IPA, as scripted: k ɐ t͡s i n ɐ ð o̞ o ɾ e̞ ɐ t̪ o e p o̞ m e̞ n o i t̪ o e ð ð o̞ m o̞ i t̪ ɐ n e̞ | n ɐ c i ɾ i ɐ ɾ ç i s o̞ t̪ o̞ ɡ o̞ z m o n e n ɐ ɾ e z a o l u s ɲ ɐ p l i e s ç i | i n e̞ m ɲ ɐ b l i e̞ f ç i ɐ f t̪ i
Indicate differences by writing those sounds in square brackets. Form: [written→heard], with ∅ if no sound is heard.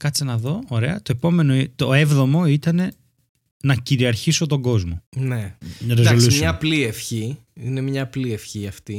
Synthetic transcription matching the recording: k ɐ t͡s i n ɐ ð o̞ o ɾ e̞ ɐ t̪ o e p o̞ m e̞ n o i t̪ o e [ð→v] ð o̞ m o̞ i t̪ ɐ n e̞ | n ɐ c i ɾ i ɐ ɾ ç i s o̞ t̪ o̞ ɡ o̞ z m o n e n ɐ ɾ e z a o l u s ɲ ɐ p l i e [s→f] ç i | i n e̞ m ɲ ɐ [b→p] l i e̞ f ç i ɐ f t̪ i